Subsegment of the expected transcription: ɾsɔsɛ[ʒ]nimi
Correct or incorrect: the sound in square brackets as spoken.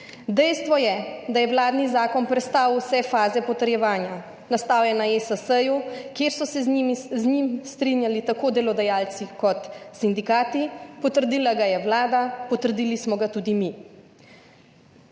incorrect: z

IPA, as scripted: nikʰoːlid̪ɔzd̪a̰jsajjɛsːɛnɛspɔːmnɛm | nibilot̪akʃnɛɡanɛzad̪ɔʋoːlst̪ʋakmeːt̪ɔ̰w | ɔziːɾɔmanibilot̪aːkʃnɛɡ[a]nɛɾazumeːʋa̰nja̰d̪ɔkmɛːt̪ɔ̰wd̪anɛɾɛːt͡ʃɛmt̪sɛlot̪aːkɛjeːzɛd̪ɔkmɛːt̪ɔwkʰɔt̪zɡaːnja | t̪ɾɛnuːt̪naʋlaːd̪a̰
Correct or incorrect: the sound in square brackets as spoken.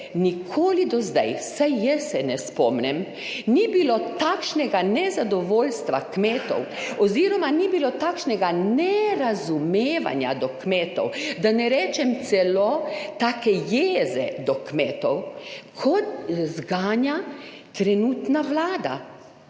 correct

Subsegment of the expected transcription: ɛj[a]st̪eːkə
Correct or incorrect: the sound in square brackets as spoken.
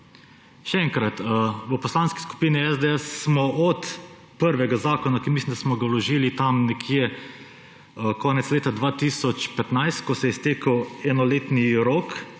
incorrect: ɛ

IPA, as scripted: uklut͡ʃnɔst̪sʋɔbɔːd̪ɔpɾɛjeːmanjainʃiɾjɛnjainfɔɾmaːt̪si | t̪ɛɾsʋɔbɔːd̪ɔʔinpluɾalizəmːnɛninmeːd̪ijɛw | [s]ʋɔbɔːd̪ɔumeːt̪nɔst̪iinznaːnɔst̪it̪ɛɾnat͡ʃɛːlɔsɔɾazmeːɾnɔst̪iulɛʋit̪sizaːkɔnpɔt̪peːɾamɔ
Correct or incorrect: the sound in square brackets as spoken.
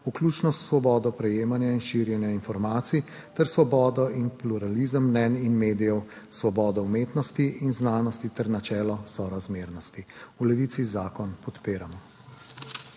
correct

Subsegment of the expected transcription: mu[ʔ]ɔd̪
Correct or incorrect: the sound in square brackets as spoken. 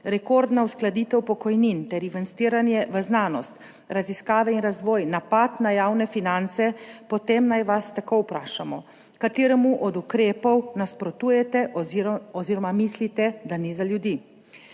correct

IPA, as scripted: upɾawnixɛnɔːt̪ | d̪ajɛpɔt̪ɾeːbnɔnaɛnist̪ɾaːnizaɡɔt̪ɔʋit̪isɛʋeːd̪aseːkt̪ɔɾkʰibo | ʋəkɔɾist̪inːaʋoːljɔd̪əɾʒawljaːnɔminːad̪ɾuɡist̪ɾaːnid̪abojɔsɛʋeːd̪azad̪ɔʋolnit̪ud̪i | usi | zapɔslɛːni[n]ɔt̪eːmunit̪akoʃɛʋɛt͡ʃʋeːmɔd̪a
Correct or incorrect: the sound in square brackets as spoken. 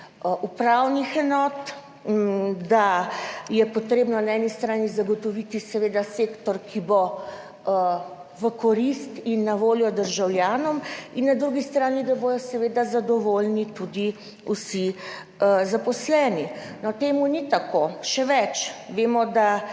correct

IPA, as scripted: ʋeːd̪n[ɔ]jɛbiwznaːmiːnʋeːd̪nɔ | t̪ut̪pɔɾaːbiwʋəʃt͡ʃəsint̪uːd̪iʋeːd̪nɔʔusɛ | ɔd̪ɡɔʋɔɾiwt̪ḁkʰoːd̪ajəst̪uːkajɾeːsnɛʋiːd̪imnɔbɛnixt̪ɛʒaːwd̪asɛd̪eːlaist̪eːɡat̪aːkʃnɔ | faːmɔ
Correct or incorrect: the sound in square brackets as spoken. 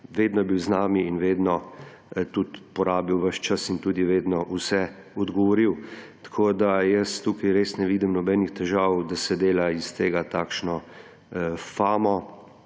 correct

